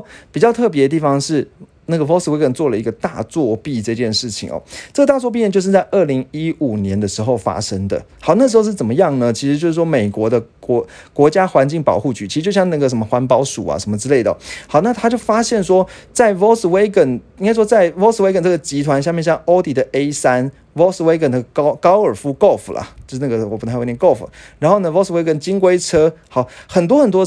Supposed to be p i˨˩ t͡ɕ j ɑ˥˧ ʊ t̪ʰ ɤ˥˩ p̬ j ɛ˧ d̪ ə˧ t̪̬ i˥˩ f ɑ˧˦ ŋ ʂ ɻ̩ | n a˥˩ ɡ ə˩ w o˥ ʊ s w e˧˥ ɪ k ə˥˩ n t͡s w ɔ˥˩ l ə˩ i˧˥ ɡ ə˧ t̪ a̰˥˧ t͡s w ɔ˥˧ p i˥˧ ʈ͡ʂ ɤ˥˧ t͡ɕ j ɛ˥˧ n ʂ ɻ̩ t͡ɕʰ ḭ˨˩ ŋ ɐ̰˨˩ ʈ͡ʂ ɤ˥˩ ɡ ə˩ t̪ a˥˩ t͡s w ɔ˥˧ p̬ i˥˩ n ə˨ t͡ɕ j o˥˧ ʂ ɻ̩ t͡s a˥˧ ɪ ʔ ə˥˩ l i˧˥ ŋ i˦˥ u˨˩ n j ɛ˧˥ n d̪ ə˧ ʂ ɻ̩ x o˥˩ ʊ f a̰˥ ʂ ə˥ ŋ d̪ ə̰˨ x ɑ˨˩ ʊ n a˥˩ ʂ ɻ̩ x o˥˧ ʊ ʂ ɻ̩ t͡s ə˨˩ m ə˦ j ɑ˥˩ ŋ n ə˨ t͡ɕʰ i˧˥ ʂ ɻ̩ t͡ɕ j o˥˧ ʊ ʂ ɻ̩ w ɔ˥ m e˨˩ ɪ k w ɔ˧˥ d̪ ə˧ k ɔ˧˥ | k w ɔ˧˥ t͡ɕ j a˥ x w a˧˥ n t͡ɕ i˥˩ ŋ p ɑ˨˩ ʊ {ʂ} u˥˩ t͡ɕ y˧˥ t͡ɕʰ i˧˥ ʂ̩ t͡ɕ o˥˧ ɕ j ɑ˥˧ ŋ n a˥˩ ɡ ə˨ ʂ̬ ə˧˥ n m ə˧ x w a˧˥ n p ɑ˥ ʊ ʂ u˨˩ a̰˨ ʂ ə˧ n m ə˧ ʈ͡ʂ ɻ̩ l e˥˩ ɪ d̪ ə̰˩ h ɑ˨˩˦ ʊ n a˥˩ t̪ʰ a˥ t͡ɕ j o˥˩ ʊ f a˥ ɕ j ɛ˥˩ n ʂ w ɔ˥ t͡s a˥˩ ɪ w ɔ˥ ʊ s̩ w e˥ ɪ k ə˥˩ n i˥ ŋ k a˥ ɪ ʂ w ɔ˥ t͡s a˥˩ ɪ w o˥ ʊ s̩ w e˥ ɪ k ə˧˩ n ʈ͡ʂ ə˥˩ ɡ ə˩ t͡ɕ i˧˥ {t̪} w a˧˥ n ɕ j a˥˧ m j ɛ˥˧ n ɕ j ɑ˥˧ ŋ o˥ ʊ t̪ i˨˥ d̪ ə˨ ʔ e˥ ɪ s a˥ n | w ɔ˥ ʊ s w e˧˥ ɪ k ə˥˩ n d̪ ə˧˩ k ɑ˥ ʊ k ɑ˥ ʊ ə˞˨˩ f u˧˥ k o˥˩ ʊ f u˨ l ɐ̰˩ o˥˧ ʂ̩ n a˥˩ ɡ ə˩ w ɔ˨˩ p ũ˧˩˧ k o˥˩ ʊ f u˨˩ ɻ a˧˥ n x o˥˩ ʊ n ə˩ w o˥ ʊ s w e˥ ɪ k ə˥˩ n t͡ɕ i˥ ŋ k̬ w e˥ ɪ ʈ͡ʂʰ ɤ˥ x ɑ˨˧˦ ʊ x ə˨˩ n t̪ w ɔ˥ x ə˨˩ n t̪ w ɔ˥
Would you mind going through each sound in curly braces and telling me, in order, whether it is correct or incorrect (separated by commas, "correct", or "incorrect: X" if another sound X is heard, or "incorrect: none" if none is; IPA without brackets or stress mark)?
incorrect: x, incorrect: t̪ʰ